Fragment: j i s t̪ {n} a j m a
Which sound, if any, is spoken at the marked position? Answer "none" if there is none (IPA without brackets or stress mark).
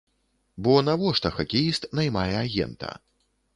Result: n